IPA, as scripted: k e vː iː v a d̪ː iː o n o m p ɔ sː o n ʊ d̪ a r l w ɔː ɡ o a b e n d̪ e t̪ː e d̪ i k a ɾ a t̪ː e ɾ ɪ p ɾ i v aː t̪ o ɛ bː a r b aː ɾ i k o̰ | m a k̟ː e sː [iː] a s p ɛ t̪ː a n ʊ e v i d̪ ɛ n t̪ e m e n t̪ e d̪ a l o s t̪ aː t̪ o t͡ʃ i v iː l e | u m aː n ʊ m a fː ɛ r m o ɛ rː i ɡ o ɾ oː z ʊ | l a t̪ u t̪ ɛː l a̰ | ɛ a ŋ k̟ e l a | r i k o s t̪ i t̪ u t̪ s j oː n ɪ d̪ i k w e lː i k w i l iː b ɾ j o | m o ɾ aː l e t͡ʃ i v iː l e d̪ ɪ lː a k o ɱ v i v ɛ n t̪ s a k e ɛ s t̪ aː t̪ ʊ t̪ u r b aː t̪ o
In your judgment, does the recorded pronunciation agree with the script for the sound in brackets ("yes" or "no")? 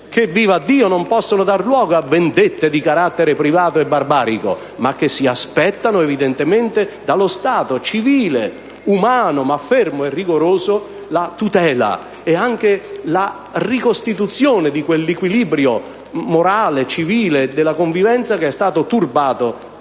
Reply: no